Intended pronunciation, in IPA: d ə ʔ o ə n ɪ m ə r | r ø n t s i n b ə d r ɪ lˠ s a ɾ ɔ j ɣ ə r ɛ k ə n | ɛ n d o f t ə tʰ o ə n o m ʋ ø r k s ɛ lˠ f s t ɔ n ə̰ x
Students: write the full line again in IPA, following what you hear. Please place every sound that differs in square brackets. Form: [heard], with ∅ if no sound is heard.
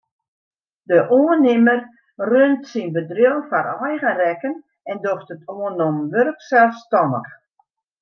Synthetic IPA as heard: d ə ʔ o ə n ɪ m ə r | r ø n t s i n b ə d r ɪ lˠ [f] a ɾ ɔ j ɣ ə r ɛ k ə n | ɛ n d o [x] t ə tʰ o ə n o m ʋ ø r k s ɛ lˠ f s t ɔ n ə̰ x